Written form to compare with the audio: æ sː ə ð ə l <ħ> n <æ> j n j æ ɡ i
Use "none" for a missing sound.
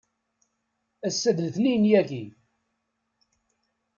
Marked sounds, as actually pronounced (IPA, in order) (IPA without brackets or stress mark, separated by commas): θ, i